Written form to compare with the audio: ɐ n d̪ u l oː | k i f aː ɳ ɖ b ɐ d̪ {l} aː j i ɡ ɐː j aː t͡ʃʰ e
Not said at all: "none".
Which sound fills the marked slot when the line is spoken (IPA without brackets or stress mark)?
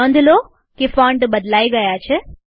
l